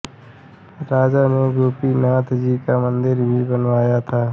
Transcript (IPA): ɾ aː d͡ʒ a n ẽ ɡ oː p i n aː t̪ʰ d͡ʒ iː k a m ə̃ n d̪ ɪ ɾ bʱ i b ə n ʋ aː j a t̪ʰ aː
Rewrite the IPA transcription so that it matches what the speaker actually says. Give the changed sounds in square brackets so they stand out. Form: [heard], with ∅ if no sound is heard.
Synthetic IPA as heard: ɾ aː d͡ʒ a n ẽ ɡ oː p i n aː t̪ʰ d͡ʒ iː k a m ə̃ n d̪ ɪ ɾ bʱ i b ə n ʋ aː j a t̪ʰ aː